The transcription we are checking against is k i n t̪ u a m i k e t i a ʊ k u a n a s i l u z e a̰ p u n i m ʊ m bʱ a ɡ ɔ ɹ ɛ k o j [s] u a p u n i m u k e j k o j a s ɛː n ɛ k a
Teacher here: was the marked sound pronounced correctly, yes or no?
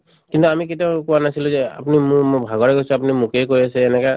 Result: yes